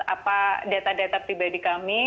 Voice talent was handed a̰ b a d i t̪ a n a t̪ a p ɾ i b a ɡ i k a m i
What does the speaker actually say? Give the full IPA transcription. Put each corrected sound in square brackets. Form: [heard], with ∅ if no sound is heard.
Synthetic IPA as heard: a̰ [p] a d [a] t̪ a [d] a t̪ a p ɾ i b a [d] i k a m i

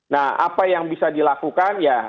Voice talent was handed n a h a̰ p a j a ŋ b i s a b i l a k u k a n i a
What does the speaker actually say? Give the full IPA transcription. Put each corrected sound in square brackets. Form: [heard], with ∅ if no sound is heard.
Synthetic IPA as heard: n a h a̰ p a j a ŋ b i s a [d] i l a k u k a n [j] a

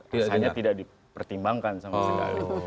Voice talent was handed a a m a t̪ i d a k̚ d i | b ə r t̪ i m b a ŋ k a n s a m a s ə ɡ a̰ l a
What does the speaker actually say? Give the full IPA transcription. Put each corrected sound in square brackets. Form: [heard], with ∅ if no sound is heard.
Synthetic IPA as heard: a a [ɲ] a t̪ i d a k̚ d i | [p] ə r t̪ i m b a ŋ k a n s a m a s ə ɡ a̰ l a

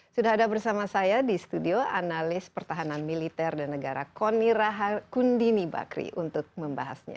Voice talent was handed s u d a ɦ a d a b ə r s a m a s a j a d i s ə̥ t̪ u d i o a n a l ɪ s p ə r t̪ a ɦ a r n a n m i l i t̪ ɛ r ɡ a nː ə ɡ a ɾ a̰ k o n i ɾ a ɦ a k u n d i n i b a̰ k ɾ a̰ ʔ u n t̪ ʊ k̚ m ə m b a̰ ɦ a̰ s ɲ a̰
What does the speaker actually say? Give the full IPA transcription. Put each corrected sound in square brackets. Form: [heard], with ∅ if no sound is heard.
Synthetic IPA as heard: s u d a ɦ a d a b ə r s a m a s a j a d i s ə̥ t̪ u d i o a n a l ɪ s p ə r t̪ a ɦ a [∅] n a n m i l i t̪ ɛ r [d] a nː ə ɡ a ɾ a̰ k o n i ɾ a ɦ a k u n d i n i b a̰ k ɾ [ḭ] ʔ u n t̪ ʊ k̚ m ə m b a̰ ɦ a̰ s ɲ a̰

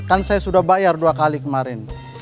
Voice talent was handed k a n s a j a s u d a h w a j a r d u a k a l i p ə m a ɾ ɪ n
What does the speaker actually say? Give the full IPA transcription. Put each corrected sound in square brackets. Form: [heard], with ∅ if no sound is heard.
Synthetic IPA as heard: k a n s a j a s u d a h [b] a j a r d u a k a l i [k] ə m a ɾ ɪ n

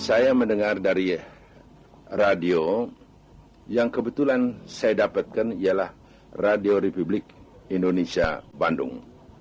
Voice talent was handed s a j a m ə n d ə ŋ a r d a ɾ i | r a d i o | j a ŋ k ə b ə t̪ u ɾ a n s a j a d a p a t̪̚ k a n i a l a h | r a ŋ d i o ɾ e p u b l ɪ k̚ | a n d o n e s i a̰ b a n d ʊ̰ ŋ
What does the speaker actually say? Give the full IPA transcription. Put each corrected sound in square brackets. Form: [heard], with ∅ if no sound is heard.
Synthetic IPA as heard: s a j a m ə n d ə ŋ a r d a ɾ i | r a d i o | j a ŋ k ə b ə t̪ u [l] a n s a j a d a p a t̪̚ k a n i a l a h | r a [∅] d i o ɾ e p u b l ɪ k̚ | [i] n d o n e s i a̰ b a n d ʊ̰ ŋ

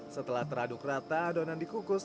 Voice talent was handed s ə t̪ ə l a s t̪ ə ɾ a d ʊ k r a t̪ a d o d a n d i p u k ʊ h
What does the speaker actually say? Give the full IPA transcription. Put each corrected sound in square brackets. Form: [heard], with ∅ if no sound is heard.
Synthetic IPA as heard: s ə t̪ ə l a [h] t̪ ə ɾ a d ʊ k r a t̪ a d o [n] a n d i [k] u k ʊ [s]

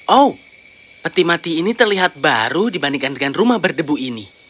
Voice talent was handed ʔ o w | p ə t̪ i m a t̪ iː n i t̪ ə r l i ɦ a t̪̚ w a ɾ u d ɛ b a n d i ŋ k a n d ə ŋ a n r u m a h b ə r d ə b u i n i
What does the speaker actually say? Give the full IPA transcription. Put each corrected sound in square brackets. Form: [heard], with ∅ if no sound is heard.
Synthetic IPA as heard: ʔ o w | p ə t̪ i m a t̪ iː n i t̪ ə r l i ɦ a t̪̚ [b] a ɾ u d [i] b a n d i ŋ k a n d ə ŋ a n r u m a h b ə r d ə b u i n i

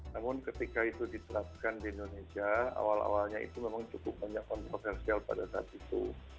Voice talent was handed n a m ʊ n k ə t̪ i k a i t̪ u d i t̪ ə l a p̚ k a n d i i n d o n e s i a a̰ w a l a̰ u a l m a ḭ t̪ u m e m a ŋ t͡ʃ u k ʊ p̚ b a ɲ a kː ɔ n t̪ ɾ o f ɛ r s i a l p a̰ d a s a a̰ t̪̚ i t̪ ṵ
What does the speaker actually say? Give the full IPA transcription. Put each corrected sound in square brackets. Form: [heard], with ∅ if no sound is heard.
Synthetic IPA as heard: n a m ʊ n k ə t̪ i k a i t̪ u d i t̪ ə [ɾ] a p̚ k a n d i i n d o n e s i a a̰ w a l a̰ [w] a l [ɲ] a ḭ t̪ u m e m a ŋ t͡ʃ u k ʊ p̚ b a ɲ a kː ɔ n t̪ ɾ o f ɛ r s i a l p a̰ d a s a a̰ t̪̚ i t̪ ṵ

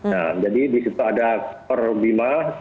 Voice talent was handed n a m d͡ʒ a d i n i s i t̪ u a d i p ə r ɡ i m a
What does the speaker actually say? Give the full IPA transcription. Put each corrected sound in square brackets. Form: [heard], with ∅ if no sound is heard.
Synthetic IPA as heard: n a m d͡ʒ a d i [d] i s i t̪ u a d [a] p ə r [b] i m a

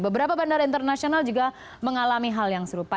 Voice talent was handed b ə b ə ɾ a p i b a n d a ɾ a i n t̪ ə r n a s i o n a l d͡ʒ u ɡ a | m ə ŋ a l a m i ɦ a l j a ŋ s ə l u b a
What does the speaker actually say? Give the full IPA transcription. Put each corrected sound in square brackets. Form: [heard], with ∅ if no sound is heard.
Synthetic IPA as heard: b ə b ə ɾ a p [a] b a n d a ɾ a i n t̪ ə r n a s i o n a l d͡ʒ u ɡ a | m ə ŋ a l a m i ɦ a l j a ŋ s ə [ɾ] u [p] a

